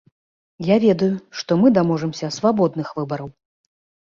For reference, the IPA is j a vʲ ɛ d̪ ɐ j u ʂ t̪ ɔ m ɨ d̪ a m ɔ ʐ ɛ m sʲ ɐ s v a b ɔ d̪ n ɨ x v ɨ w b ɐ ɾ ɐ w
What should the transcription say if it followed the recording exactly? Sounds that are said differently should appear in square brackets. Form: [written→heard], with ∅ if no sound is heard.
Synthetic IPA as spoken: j a vʲ ɛ d̪ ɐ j u ʂ t̪ ɔ m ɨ d̪ a m ɔ ʐ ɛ m sʲ ɐ s v a b ɔ d̪ n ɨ x v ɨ [w→∅] b ɐ ɾ ɐ w